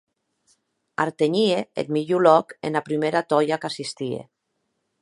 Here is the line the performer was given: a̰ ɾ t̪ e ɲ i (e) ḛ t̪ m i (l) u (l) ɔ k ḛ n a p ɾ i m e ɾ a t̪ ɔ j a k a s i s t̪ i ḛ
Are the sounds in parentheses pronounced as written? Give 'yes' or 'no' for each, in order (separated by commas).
yes, no, yes